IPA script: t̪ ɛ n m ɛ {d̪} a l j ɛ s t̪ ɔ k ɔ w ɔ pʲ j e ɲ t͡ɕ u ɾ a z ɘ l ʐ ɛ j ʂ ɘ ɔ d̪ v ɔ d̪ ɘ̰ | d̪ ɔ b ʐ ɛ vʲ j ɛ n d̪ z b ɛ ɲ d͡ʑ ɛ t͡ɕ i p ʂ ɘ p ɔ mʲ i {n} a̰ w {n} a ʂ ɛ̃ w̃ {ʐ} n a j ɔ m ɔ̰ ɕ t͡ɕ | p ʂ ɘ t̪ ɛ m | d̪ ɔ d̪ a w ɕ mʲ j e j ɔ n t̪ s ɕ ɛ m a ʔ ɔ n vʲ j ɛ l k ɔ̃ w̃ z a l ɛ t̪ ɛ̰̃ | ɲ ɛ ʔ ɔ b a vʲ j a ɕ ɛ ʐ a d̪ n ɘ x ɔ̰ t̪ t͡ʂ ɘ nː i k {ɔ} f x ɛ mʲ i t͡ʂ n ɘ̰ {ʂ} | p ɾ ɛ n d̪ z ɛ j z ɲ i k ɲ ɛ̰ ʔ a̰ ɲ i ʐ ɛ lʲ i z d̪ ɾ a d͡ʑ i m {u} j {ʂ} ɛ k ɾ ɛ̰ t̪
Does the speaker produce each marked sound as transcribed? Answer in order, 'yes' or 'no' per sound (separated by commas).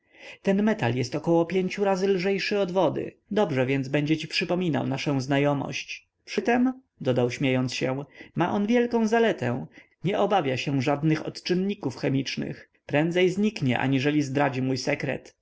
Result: no, yes, yes, no, no, no, yes, no